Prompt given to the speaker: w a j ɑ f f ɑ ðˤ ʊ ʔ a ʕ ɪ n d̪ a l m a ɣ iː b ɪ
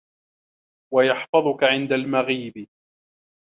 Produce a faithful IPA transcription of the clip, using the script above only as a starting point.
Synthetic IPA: w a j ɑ ħ f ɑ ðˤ ʊ k a ʕ ɪ n d̪ a l m a ɣ iː b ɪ